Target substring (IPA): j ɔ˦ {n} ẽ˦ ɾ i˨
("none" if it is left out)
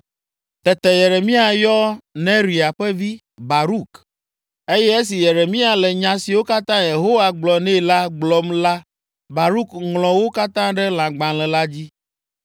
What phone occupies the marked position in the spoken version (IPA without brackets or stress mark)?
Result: n